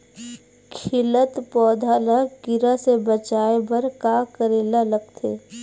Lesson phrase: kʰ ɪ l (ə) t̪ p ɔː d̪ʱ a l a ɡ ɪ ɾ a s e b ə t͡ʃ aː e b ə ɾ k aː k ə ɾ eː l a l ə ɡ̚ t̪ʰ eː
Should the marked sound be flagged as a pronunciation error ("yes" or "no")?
no